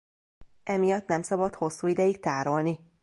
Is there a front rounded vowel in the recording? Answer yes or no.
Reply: no